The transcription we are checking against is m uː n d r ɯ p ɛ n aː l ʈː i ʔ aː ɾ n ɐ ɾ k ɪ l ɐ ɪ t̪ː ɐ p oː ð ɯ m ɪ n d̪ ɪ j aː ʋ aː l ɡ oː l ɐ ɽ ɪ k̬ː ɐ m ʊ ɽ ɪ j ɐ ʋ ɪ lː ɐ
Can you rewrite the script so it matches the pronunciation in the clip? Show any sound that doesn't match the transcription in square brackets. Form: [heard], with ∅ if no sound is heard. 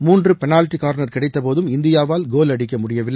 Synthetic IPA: m uː n d r ɯ p ɛ n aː l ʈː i [k] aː ɾ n ɐ ɾ k ɪ [ɽ] ɐ ɪ t̪ː ɐ p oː ð ɯ m ɪ n d̪ ɪ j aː ʋ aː l ɡ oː l ɐ ɽ ɪ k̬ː ɐ m ʊ ɽ ɪ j ɐ ʋ ɪ lː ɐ